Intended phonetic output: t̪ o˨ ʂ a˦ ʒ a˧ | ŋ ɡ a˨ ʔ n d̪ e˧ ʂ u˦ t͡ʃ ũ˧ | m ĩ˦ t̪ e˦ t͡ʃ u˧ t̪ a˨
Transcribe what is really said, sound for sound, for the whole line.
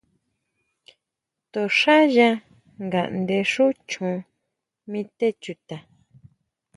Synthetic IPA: t̪ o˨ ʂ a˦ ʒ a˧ | ŋ ɡ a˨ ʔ n d̪ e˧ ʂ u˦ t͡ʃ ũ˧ | m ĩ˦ t̪ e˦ t͡ʃ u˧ t̪ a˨